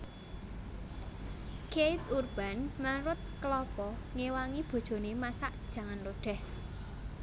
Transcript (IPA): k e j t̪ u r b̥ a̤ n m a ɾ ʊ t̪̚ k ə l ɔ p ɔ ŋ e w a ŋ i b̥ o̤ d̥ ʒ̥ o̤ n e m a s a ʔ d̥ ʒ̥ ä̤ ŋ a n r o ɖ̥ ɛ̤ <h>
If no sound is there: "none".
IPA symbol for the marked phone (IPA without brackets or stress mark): h